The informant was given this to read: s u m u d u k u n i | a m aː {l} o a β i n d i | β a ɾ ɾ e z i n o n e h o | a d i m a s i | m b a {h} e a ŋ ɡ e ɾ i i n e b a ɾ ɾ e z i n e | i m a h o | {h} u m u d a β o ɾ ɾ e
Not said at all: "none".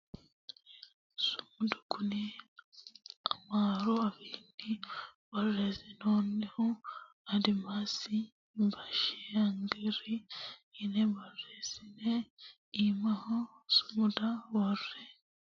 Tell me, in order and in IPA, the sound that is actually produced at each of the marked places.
ɾ, ʃ, s

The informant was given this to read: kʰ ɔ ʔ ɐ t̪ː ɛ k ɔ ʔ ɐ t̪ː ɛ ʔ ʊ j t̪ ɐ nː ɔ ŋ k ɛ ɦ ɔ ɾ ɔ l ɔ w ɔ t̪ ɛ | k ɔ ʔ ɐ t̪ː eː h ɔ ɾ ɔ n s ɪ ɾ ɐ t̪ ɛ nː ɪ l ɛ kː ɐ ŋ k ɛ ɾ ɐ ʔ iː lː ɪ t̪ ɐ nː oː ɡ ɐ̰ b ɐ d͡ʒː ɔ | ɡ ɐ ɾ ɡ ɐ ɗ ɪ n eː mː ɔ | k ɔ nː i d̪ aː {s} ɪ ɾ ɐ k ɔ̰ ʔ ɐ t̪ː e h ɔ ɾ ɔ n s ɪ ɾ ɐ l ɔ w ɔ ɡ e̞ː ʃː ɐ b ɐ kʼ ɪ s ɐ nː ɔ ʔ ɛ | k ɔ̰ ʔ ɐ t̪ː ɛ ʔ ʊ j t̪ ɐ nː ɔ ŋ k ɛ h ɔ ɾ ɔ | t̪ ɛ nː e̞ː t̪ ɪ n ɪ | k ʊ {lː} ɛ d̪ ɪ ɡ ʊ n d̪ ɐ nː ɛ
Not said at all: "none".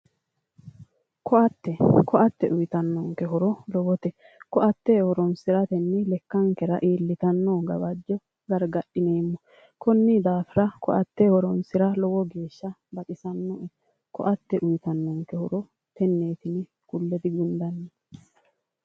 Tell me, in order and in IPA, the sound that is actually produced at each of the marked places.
f, lː

